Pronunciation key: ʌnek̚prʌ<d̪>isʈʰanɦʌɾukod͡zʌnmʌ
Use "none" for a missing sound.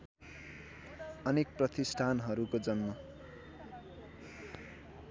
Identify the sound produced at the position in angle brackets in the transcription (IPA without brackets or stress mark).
t̪